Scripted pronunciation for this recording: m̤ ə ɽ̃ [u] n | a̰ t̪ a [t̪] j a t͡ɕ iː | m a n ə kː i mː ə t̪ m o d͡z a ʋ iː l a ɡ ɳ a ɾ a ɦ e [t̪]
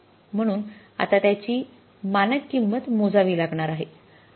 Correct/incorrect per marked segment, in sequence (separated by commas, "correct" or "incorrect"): incorrect, correct, incorrect